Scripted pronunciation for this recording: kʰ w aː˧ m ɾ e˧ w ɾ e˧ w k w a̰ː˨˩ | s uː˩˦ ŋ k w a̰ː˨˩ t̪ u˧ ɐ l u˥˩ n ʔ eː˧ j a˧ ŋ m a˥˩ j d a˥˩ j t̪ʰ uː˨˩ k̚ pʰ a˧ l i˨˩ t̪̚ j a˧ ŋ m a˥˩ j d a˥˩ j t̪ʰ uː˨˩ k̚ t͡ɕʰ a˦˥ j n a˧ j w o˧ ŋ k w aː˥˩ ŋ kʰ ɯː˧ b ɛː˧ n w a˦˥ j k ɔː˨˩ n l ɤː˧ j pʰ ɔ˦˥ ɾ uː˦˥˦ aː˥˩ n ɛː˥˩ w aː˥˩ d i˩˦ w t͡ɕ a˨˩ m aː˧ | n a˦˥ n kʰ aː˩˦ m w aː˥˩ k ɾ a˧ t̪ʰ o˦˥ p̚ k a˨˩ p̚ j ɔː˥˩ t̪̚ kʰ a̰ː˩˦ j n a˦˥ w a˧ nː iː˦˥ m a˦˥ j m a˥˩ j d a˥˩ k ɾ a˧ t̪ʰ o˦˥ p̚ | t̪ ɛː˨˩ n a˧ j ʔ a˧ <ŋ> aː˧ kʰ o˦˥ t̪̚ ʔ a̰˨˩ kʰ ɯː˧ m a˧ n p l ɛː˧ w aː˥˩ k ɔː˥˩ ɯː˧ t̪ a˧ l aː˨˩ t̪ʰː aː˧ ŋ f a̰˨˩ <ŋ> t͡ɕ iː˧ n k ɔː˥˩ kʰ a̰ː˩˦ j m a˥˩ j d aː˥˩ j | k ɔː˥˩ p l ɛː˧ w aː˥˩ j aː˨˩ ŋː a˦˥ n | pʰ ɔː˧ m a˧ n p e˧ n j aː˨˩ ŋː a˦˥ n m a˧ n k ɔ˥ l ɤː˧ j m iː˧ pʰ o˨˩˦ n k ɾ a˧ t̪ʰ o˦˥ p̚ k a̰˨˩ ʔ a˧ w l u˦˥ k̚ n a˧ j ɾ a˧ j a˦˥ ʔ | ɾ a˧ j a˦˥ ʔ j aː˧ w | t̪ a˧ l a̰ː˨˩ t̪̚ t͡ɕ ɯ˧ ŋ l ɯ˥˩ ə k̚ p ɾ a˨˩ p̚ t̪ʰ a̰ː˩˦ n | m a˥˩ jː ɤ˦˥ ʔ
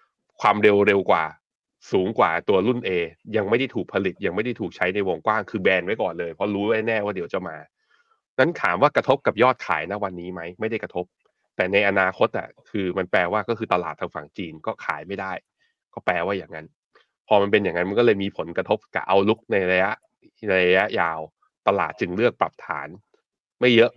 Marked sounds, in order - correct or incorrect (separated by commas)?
incorrect, correct